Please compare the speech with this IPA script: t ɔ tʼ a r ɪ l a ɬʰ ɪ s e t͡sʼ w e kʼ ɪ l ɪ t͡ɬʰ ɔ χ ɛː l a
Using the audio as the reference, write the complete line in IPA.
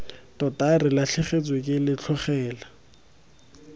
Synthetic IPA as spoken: t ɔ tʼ a r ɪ l a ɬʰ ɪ χ e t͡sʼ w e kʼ ɪ l ɪ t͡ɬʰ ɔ χ ɛː l a